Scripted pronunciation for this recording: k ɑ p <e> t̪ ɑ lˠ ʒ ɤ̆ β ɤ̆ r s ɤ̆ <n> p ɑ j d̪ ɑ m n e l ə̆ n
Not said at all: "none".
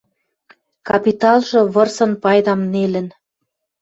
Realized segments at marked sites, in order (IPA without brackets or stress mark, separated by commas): i, n